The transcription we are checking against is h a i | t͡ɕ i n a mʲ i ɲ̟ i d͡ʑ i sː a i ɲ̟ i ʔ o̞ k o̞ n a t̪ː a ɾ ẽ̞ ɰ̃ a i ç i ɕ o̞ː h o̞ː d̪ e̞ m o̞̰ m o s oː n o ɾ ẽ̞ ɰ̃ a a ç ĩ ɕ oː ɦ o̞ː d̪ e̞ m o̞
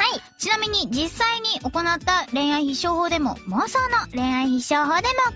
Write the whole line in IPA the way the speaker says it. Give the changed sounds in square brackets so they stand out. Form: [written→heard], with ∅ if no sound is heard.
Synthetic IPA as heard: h a i | t͡ɕ i n a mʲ i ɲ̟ i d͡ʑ i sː a i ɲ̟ i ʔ o̞ k o̞ n a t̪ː a ɾ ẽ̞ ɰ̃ a i ç i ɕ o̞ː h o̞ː d̪ e̞ m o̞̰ m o s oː n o ɾ ẽ̞ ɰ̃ a [a→i] ç [ĩ→i] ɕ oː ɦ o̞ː d̪ e̞ m o̞